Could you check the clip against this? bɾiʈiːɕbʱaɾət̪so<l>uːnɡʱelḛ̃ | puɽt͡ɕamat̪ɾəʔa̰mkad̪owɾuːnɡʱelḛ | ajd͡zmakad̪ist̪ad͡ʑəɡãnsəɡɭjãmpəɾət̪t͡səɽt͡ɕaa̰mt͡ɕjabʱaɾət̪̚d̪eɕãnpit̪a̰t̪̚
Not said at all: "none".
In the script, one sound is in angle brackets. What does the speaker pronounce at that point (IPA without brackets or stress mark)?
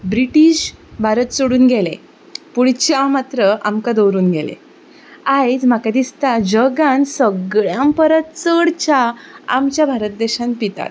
ɽ